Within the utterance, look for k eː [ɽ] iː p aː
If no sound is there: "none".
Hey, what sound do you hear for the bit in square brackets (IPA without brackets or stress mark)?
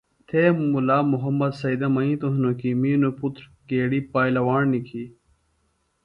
ɽ